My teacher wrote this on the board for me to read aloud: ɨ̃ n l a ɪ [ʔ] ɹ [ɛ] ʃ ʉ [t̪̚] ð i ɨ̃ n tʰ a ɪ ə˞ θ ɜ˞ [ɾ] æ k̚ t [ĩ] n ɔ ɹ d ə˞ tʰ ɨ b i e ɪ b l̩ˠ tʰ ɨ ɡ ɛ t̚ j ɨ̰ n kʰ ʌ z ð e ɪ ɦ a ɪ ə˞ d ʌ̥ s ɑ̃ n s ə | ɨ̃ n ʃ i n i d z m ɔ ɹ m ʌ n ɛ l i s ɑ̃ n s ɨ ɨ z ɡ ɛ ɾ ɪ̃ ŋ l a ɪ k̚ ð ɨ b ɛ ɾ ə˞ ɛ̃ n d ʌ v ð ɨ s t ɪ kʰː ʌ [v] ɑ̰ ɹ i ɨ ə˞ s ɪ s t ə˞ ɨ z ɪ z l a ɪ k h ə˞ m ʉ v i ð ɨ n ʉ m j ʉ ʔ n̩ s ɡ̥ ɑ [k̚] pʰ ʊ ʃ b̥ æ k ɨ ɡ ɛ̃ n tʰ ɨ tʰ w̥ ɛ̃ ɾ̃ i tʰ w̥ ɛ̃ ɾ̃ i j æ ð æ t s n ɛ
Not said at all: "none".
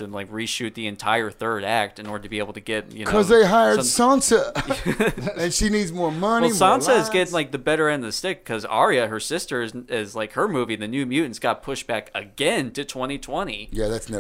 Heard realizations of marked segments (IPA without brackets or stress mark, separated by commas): k, i, t̪̚, ɾ, ɨ̃, z, t̚